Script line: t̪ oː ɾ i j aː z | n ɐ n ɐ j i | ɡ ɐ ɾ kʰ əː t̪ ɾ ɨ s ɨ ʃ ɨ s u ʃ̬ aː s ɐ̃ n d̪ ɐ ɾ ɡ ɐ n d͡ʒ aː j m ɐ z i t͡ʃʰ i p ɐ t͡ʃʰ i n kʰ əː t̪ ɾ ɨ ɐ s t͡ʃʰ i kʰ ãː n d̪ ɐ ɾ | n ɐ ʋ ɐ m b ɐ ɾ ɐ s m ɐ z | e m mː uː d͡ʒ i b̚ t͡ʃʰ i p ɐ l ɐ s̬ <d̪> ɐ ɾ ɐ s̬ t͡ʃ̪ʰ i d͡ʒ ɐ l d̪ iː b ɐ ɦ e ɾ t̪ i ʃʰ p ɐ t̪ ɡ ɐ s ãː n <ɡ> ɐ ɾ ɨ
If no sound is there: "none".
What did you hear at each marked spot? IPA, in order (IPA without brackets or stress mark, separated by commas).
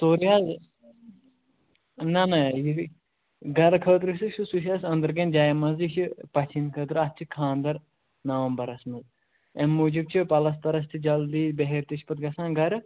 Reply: t̪, ɡ